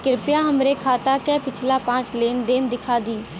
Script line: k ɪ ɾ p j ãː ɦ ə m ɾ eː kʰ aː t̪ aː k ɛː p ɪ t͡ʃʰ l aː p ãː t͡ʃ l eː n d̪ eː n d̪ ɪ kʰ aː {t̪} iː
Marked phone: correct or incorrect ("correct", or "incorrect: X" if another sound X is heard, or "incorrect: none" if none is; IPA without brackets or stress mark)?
incorrect: d̪